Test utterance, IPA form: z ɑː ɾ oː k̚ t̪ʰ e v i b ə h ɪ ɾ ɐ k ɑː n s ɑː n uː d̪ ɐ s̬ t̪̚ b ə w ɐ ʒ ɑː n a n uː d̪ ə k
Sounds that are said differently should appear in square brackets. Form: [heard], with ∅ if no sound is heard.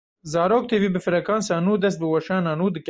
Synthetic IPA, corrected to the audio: z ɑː ɾ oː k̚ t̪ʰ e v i b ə [f] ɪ ɾ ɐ k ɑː n s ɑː n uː d̪ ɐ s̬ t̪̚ b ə w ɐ [ʃ] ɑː n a n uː d̪ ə k